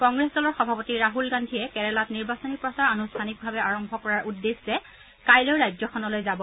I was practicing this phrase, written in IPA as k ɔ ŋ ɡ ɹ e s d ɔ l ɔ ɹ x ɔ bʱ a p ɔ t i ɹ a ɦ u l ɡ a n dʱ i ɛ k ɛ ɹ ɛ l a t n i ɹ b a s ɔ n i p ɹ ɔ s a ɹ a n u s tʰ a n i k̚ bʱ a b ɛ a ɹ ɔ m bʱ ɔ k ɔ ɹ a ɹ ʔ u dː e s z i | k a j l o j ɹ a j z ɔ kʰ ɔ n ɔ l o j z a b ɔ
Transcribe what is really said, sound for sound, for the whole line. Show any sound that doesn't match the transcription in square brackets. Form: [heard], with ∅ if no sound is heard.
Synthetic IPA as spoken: k ɔ ŋ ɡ ɹ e s d ɔ l ɔ ɹ x ɔ bʱ a p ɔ t i ɹ a ɦ u l ɡ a n dʱ i ɛ k ɛ ɹ ɛ l a t n i ɹ b a s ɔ n i p ɹ ɔ s a ɹ a n u s tʰ a n i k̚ bʱ a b ɛ a ɹ ɔ m bʱ ɔ k ɔ ɹ a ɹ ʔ u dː e s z [ɛ] | k a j l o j ɹ a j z ɔ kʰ ɔ n ɔ l o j z a b ɔ